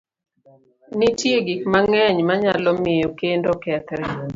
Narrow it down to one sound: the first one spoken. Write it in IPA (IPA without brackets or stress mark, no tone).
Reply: n